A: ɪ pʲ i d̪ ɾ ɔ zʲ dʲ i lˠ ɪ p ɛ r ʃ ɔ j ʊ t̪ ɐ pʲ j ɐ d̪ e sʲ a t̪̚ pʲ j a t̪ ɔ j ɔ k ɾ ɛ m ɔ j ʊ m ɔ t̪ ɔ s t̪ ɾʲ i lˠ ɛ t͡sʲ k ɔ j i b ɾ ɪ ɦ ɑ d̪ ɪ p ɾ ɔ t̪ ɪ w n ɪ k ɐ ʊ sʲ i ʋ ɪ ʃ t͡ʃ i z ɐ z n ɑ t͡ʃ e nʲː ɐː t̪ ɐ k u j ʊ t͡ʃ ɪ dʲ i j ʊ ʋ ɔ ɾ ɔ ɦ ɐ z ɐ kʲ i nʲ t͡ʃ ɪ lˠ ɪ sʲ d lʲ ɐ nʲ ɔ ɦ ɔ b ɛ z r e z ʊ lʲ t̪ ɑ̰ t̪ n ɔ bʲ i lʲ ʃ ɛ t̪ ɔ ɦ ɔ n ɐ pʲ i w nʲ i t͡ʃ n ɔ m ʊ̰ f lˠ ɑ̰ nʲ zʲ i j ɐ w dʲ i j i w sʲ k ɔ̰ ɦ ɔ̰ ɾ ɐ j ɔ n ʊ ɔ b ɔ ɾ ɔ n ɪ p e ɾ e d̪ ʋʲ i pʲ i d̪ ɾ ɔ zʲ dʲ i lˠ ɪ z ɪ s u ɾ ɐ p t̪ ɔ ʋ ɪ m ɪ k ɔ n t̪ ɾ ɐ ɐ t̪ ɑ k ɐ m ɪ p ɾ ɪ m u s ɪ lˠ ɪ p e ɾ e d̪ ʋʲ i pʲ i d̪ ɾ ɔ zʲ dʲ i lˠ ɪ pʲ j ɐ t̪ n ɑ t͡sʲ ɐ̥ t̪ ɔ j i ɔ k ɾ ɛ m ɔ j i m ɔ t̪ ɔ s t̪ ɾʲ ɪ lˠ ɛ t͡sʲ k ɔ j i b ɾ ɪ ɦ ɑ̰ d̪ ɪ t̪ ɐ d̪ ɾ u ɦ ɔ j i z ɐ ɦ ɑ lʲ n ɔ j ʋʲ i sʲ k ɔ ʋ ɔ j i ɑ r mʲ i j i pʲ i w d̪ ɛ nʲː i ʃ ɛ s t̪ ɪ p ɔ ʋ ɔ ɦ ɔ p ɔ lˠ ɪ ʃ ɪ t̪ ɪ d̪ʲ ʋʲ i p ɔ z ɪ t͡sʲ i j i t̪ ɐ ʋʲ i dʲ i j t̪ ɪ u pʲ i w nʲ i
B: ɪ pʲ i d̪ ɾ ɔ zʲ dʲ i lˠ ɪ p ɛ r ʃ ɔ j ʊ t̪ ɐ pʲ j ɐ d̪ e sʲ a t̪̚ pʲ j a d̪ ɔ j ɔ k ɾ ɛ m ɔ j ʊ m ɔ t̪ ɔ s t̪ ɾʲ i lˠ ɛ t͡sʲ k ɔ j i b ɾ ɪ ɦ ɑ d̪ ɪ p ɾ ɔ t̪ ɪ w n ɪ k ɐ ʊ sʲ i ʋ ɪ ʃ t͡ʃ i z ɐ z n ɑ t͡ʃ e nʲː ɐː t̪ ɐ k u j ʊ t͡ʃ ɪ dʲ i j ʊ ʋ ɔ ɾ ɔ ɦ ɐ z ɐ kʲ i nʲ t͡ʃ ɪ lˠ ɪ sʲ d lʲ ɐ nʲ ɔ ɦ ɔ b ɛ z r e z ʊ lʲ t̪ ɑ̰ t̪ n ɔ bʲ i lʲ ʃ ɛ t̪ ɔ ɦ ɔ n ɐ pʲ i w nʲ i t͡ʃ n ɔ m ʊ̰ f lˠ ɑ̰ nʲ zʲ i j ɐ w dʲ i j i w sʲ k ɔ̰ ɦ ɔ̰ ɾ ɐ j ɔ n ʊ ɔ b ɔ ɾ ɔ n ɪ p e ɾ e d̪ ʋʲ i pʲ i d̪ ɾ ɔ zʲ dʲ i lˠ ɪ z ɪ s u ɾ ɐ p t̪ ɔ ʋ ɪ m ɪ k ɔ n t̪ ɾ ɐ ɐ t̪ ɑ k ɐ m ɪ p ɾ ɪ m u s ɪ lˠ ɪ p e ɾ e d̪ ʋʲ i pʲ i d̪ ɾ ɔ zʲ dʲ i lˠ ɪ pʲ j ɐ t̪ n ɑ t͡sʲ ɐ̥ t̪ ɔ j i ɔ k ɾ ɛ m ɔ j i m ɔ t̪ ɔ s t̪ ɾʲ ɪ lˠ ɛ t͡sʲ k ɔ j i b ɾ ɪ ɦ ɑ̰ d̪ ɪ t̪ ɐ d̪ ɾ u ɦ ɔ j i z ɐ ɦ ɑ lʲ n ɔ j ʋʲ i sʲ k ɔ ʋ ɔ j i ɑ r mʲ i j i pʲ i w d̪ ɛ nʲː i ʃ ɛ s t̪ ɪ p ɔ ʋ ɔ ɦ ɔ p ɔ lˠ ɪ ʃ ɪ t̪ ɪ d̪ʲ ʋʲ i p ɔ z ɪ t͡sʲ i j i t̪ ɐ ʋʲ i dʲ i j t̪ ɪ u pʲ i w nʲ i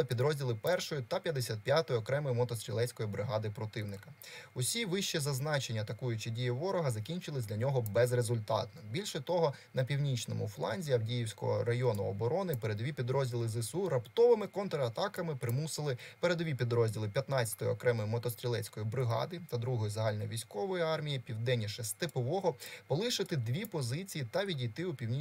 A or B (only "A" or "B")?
A